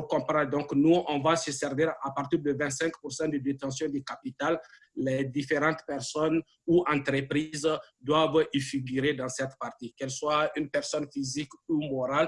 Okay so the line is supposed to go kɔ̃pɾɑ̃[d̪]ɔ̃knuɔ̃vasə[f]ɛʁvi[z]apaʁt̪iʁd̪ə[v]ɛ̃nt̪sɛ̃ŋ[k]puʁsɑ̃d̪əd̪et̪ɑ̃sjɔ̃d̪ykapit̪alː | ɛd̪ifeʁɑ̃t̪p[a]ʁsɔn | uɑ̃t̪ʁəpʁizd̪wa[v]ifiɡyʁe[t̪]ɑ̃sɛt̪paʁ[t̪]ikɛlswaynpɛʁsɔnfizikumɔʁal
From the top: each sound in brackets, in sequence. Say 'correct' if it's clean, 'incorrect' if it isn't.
correct, incorrect: s, incorrect: ʁ, correct, correct, incorrect: ɛ, correct, incorrect: d̪, correct

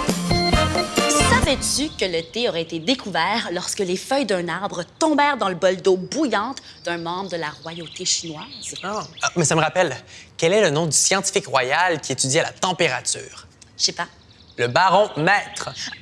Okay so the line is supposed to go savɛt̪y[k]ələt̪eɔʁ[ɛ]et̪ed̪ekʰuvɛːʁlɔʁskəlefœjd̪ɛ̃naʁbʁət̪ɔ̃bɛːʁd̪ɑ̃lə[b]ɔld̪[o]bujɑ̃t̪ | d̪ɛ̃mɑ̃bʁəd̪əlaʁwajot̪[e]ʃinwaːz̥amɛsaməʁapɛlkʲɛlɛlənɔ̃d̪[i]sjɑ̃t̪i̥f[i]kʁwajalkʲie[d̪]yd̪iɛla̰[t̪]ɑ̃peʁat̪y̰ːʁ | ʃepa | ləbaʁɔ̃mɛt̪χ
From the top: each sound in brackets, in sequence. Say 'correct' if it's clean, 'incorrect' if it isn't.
correct, correct, correct, correct, correct, incorrect: y, correct, incorrect: t̪, correct

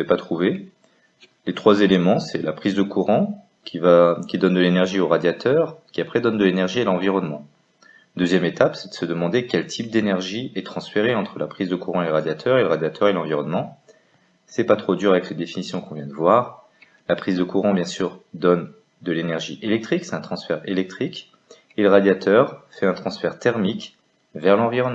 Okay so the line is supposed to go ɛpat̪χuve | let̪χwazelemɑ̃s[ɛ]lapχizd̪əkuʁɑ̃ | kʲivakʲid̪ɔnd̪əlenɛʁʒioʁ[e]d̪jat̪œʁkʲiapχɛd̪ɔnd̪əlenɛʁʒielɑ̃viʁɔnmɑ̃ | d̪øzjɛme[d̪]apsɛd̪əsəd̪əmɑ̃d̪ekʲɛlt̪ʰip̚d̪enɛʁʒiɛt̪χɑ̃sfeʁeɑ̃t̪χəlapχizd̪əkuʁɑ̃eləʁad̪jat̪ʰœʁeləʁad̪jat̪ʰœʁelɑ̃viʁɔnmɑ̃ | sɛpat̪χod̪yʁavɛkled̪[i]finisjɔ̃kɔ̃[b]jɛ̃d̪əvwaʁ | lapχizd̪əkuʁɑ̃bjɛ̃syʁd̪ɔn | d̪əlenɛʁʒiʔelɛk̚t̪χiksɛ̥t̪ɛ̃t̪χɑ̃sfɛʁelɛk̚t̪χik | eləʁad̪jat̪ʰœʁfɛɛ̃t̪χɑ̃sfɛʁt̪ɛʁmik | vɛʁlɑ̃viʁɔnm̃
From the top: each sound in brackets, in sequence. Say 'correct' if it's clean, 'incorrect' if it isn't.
correct, incorrect: a, incorrect: t̪, incorrect: e, incorrect: v

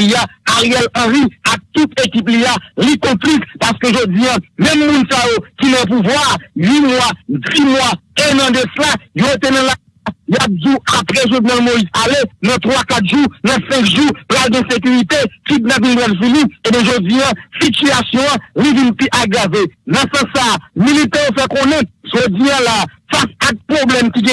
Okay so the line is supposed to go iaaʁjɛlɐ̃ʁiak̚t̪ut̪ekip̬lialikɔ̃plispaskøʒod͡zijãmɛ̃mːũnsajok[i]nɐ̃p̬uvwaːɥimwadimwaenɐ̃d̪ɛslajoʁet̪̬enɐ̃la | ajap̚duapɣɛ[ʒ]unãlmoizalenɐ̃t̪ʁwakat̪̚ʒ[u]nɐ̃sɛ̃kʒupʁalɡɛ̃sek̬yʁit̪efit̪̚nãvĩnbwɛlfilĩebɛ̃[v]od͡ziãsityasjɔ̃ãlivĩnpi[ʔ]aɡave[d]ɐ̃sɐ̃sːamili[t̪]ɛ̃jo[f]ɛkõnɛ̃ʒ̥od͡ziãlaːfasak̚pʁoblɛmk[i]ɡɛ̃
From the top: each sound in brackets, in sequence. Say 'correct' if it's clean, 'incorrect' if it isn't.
correct, correct, correct, incorrect: ʒ, correct, incorrect: n, correct, correct, correct

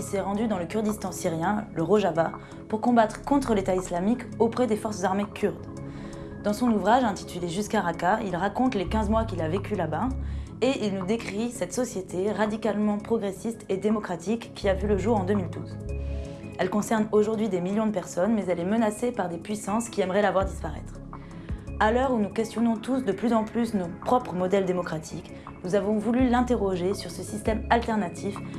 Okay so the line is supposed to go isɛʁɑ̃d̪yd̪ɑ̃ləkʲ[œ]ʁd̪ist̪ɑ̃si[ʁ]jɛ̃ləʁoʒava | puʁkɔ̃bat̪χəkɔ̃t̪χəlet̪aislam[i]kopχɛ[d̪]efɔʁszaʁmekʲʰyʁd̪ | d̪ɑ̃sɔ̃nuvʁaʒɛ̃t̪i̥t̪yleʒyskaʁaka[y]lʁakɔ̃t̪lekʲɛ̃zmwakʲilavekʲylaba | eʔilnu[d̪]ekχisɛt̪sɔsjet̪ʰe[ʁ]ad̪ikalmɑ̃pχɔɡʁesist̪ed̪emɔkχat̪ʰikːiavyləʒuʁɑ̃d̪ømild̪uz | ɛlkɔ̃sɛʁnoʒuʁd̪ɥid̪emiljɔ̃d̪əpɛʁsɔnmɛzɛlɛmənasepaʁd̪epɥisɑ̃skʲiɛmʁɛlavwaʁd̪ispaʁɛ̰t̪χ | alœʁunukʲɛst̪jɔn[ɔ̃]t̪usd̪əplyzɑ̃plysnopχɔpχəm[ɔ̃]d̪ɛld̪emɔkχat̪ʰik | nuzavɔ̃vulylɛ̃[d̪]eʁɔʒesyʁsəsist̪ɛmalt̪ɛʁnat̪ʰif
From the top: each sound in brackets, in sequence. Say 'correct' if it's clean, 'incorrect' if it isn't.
incorrect: y, correct, correct, correct, incorrect: i, correct, correct, correct, incorrect: ɔ, incorrect: t̪

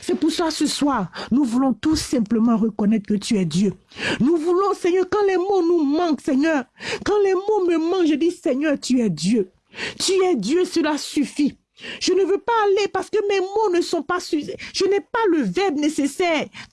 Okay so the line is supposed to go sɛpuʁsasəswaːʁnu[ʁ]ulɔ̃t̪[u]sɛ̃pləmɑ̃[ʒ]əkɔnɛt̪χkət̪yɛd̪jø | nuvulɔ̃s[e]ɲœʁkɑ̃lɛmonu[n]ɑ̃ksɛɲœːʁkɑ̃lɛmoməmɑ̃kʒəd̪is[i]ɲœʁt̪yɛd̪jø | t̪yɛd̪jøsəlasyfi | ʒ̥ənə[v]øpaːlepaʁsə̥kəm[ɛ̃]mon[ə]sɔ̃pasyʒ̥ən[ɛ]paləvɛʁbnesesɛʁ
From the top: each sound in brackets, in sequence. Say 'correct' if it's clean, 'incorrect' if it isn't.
incorrect: v, correct, incorrect: ʁ, incorrect: ɛ, incorrect: m, incorrect: ɛ, correct, incorrect: ɛ, correct, correct

